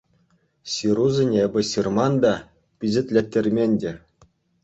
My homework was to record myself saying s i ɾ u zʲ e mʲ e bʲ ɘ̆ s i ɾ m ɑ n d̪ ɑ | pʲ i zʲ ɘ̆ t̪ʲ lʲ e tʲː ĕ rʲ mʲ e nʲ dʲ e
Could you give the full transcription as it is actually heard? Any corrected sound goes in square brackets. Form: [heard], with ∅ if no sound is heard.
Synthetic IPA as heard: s i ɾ u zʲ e [nʲ] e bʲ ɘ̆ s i [r] m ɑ n d̪ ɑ | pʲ i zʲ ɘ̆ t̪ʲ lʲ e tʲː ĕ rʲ mʲ e nʲ dʲ e